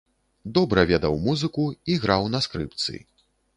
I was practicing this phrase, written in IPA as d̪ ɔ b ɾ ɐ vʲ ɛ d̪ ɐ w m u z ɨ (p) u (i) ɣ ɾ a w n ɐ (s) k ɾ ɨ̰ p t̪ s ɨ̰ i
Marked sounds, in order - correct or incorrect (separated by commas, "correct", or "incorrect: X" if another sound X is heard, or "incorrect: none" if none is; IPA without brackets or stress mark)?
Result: incorrect: k, correct, correct